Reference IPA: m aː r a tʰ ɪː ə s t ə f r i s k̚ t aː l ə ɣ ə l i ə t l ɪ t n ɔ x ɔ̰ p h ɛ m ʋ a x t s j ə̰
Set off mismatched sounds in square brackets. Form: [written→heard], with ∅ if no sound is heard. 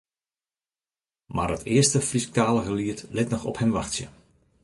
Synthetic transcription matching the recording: m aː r [a→ə] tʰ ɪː ə s t ə f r i s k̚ t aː l ə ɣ ə l i ə t l ɪ t n ɔ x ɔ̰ p h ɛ m ʋ a x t s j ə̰